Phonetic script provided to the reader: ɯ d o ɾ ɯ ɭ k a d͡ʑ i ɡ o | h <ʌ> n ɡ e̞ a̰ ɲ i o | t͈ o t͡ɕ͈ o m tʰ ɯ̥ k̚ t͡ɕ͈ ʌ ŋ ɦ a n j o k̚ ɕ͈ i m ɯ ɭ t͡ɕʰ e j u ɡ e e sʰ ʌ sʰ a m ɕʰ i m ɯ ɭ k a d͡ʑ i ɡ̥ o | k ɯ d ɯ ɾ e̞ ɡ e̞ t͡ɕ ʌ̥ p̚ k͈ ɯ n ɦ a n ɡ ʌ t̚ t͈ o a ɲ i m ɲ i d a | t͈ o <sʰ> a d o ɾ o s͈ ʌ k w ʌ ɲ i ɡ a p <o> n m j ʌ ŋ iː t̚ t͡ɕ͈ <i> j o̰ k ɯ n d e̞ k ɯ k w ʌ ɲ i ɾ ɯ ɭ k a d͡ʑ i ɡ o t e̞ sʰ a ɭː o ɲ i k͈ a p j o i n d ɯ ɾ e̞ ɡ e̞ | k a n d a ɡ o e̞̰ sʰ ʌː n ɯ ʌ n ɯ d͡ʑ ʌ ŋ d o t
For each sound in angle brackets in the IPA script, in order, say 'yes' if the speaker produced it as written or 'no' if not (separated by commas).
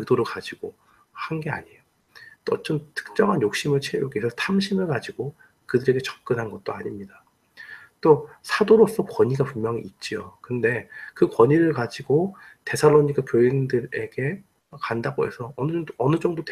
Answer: no, yes, no, yes